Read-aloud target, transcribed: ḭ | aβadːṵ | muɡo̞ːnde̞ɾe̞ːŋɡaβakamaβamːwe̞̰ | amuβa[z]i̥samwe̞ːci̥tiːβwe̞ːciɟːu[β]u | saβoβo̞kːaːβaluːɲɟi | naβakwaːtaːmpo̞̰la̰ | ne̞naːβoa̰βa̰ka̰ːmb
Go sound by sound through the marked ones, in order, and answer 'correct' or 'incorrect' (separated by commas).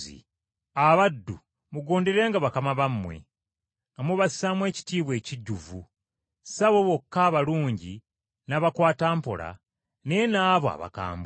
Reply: incorrect, incorrect